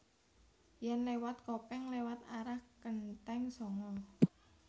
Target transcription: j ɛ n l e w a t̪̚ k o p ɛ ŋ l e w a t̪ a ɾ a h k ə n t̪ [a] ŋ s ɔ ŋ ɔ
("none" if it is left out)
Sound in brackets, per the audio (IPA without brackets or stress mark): ɛ